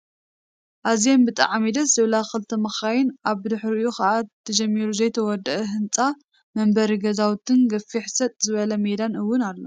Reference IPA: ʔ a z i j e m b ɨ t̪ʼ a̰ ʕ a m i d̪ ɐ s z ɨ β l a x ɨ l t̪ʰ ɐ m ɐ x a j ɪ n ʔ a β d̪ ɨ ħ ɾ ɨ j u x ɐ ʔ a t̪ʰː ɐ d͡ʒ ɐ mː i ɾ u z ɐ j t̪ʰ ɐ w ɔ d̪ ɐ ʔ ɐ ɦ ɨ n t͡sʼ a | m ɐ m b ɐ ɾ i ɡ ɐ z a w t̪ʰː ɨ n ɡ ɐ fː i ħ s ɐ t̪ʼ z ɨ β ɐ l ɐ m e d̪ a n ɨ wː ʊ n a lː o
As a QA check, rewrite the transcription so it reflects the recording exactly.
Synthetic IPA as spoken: ʔ a z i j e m b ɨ t̪ʼ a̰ ʕ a m i d̪ ɐ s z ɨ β l a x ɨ l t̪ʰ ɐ m ɐ x a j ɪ n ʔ a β d̪ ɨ ħ ɾ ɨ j u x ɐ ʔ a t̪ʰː ɐ d͡ʒ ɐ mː i ɾ u z ɐ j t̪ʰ ɐ w ɔ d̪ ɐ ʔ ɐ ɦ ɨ n t͡sʼ a | m ɐ m b ɐ ɾ i ɡ ɐ z a w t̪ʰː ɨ n ɡ ɐ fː i ħ s ɐ t̪ʼ z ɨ β ɐ l ɐ m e d̪ a n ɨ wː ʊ n a lː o